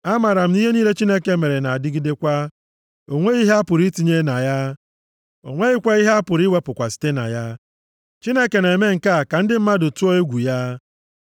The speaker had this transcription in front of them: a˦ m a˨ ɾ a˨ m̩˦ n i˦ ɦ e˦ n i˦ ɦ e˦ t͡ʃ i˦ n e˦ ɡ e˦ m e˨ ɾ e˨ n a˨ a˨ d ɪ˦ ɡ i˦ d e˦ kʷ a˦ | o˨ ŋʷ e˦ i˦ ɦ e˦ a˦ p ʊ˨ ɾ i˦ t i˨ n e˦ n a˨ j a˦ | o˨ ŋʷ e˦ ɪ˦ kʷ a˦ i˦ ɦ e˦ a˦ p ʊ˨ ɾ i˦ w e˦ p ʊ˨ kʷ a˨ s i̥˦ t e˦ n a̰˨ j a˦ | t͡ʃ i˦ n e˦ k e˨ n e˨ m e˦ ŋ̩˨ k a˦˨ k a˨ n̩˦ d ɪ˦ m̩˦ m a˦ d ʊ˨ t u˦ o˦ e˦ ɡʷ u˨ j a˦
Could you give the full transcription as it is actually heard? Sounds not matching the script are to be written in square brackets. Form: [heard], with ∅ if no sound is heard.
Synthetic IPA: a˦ m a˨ ɾ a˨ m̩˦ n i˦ ɦ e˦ n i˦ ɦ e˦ t͡ʃ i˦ n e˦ [k] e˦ m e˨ ɾ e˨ n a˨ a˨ d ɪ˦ ɡ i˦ d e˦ kʷ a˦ | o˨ ŋʷ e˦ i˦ ɦ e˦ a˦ p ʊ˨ ɾ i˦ t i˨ [ɲ] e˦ n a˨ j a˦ | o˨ ŋʷ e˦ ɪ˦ kʷ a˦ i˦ ɦ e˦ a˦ p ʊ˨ ɾ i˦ w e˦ p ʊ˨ kʷ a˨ s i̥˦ t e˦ n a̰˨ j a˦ | t͡ʃ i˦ n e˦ k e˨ n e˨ m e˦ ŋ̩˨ k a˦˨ k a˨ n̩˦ d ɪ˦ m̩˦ m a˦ d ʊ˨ t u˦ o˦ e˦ ɡʷ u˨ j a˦